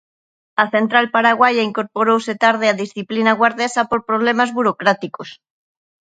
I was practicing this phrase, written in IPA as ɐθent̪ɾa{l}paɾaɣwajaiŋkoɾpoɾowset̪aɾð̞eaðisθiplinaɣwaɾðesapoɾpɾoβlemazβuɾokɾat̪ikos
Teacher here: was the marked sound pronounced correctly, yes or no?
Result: yes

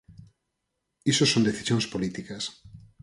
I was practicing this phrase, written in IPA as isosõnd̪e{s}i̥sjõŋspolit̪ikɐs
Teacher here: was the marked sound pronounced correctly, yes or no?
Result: no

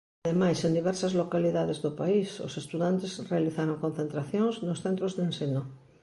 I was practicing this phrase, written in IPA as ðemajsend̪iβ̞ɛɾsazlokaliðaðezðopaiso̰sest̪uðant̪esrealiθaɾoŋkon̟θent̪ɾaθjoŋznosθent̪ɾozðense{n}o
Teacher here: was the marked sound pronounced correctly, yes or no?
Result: yes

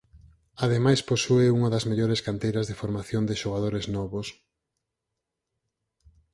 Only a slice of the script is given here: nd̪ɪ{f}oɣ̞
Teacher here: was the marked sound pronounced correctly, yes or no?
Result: no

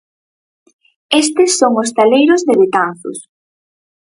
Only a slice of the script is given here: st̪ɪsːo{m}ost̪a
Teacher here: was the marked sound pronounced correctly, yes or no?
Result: no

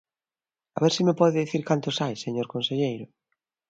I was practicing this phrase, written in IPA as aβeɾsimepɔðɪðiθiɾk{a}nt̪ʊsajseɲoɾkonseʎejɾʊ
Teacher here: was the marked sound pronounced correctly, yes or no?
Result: yes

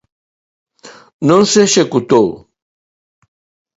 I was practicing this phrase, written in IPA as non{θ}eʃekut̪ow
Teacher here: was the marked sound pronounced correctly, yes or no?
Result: no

